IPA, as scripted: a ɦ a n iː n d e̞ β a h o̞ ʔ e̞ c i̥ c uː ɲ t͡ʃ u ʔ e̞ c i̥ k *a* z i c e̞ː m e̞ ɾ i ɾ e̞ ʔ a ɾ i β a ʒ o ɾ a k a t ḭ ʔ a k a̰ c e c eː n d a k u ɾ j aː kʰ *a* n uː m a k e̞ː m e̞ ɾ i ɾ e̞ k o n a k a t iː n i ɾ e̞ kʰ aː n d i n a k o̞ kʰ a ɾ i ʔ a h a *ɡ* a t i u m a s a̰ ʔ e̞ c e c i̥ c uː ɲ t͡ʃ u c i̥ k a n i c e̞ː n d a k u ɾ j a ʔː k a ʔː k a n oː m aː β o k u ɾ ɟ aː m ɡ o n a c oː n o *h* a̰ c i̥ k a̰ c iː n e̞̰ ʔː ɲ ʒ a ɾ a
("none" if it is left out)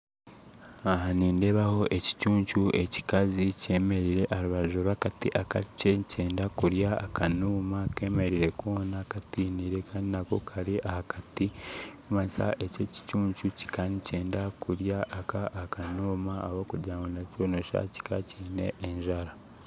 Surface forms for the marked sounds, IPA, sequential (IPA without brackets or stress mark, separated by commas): a, a, k, ʃ